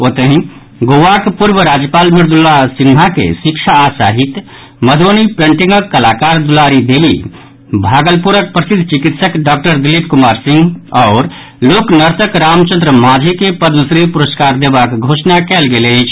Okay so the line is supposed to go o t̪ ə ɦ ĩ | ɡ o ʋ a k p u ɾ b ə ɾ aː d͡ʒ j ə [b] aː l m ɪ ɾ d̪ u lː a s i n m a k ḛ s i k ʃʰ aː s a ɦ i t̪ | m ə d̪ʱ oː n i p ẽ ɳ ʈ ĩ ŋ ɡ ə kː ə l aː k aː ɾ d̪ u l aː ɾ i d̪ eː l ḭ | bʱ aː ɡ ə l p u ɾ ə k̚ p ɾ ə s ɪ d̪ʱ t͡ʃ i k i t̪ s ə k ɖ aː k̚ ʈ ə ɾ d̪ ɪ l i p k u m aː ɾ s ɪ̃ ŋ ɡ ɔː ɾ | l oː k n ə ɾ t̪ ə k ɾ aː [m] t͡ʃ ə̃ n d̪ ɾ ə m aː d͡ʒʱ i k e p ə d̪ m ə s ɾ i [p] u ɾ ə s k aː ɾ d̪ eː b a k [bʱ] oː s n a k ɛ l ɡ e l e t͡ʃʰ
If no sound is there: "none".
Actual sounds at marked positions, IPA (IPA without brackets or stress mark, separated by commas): p, m, p, ɡʱ